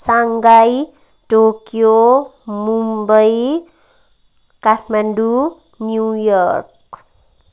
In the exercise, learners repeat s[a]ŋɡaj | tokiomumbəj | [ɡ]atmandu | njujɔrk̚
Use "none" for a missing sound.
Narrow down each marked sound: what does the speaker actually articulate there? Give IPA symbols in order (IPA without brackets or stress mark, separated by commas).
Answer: a, k